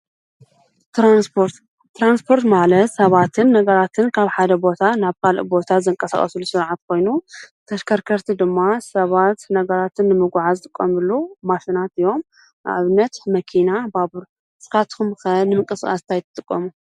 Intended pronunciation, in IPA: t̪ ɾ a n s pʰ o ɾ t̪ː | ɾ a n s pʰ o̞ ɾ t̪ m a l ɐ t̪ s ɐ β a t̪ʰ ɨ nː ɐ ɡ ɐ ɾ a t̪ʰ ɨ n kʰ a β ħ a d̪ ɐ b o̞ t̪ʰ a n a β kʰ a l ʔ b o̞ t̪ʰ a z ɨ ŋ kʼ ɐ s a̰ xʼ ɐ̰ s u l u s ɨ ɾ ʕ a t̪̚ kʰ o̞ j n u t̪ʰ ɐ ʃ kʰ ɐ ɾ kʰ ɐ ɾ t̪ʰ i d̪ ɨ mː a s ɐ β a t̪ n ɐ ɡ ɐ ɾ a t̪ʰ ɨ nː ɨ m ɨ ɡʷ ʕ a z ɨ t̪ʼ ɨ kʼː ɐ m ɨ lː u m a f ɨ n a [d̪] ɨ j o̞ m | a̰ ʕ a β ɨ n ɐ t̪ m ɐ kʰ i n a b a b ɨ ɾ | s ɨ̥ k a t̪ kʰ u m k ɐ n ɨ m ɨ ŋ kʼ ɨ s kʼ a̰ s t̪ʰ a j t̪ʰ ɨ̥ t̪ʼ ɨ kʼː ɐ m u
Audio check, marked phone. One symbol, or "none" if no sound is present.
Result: t̪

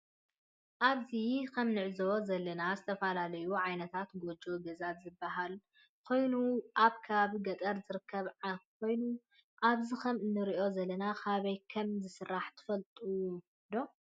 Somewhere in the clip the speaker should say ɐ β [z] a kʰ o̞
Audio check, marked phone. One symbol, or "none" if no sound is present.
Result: ʕ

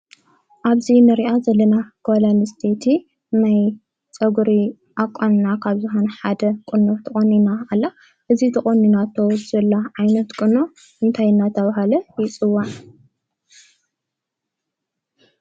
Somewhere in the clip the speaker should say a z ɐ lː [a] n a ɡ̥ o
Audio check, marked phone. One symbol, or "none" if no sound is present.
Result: ɐ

